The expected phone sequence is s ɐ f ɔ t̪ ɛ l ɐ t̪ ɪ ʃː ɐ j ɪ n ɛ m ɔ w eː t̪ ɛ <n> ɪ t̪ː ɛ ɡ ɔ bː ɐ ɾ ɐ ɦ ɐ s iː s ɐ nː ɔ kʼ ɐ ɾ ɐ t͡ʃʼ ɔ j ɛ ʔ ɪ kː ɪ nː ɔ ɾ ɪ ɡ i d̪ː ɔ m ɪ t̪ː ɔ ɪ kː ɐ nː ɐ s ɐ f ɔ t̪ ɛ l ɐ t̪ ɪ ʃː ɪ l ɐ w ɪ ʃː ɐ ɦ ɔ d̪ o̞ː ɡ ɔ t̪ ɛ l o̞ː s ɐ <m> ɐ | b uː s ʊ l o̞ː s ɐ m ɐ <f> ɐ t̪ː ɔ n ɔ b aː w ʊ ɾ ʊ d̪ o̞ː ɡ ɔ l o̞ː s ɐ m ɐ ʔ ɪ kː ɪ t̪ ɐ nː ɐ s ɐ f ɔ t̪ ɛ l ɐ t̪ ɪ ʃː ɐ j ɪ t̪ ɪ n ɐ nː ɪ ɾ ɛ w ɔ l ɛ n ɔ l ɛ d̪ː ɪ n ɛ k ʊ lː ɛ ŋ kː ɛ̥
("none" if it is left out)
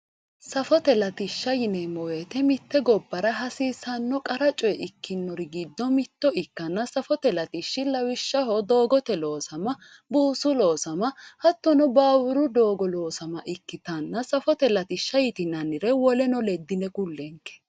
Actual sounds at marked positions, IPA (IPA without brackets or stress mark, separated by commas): m, m, h